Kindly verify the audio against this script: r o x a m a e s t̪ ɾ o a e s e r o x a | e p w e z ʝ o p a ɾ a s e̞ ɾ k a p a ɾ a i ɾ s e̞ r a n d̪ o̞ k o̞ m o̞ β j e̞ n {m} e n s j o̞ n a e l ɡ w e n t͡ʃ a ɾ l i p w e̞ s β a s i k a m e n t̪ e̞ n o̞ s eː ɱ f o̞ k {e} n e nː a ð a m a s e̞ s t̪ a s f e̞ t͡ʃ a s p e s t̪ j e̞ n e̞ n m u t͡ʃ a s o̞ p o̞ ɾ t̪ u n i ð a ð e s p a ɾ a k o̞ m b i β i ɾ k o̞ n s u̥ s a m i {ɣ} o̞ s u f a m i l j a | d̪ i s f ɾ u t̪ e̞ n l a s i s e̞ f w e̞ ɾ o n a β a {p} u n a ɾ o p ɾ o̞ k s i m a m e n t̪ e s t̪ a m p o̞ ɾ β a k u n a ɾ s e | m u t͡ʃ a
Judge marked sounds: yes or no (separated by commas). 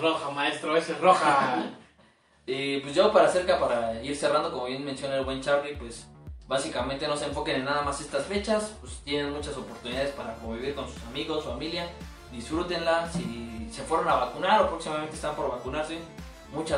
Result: yes, yes, yes, no